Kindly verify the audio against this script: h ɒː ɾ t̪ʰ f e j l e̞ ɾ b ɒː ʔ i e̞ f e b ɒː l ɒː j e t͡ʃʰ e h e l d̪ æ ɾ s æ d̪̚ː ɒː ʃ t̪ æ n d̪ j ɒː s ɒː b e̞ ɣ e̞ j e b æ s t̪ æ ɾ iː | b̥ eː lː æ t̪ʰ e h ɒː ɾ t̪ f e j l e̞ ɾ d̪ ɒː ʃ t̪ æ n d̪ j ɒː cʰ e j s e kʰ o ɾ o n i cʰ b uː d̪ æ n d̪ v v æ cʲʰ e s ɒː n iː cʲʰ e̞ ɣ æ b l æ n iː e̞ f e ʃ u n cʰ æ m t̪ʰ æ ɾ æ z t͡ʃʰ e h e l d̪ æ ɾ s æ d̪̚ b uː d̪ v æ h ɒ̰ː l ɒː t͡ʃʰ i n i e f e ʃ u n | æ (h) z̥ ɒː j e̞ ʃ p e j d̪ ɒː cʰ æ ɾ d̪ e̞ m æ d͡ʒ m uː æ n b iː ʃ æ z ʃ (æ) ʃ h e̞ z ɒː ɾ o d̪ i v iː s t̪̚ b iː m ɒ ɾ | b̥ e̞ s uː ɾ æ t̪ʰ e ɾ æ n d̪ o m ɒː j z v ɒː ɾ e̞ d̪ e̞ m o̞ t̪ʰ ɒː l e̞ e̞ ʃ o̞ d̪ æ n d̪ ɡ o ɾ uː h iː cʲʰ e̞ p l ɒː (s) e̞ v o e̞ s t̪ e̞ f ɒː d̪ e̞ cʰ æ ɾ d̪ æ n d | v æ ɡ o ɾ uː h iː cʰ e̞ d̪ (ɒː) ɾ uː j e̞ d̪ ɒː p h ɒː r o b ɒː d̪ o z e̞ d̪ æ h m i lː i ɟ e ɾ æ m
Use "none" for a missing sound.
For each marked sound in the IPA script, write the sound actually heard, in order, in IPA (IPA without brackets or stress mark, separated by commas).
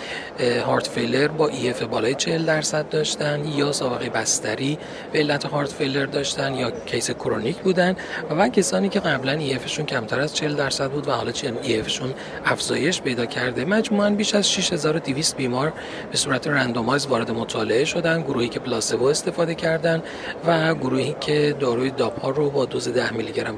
f, i, s, ɒː